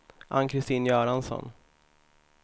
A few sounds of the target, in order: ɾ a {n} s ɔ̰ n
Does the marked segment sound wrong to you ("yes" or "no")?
no